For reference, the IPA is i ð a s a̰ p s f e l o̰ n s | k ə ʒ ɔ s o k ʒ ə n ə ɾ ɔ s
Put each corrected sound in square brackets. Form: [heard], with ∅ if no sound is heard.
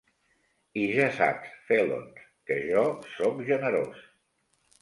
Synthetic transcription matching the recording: i [ʒ] a s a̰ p s f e l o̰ n s | k ə ʒ ɔ s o k ʒ ə n ə ɾ [o] s